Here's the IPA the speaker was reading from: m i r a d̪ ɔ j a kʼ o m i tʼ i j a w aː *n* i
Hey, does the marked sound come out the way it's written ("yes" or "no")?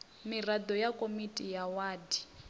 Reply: no